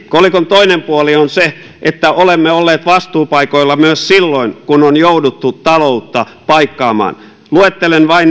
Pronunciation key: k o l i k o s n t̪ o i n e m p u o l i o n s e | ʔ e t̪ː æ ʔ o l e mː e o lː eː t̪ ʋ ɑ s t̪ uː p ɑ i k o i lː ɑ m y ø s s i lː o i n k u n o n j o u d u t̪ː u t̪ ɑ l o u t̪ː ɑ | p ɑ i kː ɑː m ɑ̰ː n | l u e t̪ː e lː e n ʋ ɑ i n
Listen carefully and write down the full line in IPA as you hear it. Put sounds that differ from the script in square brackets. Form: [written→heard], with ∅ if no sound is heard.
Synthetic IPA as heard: k o l i k o [s→∅] n t̪ o i n e m p u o l i o n s e | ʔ e t̪ː æ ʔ o l e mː e o lː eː t̪ ʋ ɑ s t̪ uː p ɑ i k o i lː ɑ m y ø s s i lː o i n k u n o n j o u d u t̪ː u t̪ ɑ l o u t̪ː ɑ | p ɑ i kː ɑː m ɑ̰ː n | l u e t̪ː e [lː→l] e n ʋ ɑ i n